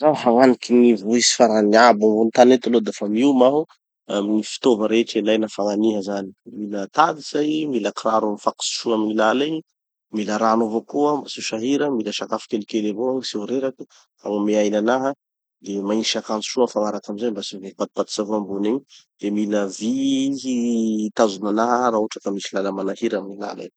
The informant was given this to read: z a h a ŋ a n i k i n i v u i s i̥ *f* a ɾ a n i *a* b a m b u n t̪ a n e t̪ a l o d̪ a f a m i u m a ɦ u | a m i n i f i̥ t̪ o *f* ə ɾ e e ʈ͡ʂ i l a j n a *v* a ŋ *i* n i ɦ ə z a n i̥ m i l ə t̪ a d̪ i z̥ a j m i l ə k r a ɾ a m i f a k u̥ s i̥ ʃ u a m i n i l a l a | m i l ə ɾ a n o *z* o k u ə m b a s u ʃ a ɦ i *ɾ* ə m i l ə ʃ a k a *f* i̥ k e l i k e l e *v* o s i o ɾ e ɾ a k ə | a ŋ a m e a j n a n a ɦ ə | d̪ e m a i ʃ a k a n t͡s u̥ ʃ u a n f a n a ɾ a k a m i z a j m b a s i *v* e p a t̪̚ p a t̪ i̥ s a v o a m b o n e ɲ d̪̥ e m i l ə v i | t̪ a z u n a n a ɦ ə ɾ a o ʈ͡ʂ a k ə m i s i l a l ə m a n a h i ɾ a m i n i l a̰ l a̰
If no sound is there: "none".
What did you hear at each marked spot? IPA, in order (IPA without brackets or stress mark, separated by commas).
f, a, v, f, a, v, ɾ, f, v, v